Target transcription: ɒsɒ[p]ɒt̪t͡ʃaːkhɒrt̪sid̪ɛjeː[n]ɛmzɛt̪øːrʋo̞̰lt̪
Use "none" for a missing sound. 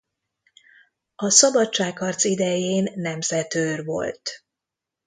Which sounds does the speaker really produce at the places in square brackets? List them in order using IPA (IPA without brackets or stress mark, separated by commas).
b, nː